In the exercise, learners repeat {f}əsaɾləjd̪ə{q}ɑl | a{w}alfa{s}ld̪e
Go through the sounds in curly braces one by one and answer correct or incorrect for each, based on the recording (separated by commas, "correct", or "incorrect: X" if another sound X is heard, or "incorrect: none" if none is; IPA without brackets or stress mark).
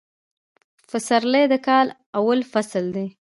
correct, incorrect: k, correct, correct